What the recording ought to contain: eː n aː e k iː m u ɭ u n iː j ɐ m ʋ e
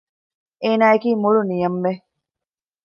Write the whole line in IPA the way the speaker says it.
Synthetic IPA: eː n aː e k iː m u ɭ u n i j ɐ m ʋ e